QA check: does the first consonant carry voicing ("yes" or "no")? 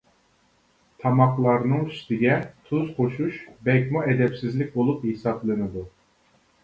no